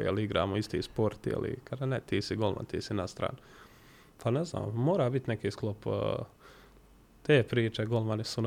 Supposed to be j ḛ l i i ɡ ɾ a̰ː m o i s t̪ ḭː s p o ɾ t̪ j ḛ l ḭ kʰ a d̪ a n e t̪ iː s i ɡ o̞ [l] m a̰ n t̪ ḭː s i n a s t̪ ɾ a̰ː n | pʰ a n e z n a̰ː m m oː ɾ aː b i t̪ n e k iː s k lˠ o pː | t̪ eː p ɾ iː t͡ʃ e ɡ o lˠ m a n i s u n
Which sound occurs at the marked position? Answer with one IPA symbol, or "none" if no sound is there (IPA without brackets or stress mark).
l